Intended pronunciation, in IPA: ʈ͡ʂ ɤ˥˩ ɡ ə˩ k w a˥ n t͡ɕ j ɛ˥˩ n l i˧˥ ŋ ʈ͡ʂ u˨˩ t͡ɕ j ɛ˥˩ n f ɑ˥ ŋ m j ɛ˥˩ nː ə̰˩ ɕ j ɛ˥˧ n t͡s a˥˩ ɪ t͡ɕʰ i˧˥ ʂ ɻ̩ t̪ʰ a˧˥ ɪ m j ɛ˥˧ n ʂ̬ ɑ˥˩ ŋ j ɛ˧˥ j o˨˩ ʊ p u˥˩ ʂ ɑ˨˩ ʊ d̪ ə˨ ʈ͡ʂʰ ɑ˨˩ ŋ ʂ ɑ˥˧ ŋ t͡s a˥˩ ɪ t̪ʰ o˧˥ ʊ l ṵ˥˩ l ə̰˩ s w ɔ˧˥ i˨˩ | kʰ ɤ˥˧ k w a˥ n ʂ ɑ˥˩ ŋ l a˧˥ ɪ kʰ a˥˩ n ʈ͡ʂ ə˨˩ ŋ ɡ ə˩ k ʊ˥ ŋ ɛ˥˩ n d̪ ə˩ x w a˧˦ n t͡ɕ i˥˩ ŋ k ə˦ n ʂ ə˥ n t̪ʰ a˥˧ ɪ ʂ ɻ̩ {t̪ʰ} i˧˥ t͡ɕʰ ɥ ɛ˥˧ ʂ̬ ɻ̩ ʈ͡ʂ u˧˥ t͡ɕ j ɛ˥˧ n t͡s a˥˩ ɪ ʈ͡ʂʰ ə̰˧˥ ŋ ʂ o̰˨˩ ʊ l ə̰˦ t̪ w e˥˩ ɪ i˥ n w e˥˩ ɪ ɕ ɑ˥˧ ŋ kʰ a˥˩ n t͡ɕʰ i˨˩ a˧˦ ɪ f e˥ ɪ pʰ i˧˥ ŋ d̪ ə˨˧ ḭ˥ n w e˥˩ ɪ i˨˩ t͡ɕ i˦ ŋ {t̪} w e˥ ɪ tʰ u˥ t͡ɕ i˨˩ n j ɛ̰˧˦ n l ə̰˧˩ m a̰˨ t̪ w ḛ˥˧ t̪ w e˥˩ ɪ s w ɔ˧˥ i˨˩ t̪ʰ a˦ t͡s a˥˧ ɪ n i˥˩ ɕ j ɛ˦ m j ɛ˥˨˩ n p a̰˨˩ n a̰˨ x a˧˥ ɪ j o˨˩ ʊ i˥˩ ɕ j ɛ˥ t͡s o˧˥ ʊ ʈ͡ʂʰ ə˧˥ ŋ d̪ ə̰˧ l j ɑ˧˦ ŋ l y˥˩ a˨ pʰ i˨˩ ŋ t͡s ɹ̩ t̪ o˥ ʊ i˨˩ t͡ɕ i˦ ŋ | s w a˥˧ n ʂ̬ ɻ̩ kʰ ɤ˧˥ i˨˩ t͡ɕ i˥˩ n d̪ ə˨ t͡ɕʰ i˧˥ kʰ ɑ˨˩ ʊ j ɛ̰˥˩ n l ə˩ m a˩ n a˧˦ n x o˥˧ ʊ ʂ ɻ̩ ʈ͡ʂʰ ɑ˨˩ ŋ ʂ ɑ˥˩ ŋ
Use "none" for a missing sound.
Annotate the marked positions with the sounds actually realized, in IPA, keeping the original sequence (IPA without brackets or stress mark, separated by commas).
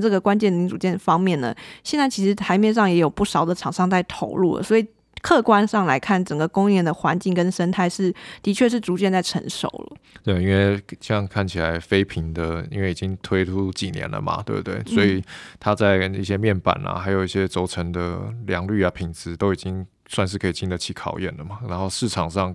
t̪, t̪ʰ